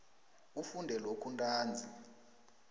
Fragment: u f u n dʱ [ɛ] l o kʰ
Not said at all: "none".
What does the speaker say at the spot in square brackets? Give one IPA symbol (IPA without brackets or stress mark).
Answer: ɛ